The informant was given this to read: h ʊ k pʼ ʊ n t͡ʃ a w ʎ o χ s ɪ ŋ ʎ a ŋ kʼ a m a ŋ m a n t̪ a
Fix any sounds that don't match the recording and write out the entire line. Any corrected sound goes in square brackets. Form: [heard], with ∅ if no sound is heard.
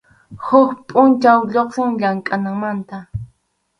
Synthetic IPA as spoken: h ʊ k pʼ ʊ n t͡ʃ a w ʎ o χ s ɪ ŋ ʎ a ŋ kʼ a [n] a ŋ m a n t̪ a